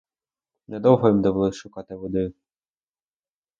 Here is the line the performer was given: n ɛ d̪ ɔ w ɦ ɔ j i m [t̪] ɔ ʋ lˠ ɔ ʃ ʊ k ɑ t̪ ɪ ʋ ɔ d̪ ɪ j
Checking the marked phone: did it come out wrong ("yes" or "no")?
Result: yes